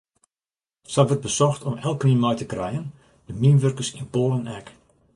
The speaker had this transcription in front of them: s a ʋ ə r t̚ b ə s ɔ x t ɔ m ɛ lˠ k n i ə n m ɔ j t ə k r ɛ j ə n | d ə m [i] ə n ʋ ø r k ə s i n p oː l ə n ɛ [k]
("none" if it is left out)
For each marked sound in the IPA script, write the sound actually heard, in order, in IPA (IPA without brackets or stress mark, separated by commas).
i, k